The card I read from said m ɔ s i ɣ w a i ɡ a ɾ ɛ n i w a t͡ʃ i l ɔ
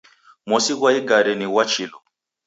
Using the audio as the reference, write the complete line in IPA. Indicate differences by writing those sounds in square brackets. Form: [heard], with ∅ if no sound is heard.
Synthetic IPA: m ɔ s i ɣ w a i ɡ a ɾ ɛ n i w a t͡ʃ i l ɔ